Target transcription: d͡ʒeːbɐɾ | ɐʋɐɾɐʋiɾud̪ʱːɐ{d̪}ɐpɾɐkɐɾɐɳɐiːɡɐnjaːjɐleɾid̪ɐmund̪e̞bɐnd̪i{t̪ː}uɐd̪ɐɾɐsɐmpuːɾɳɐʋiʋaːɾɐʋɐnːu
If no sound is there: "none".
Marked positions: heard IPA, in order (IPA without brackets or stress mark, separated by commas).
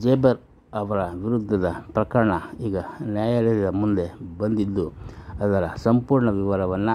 d̪, d̪ː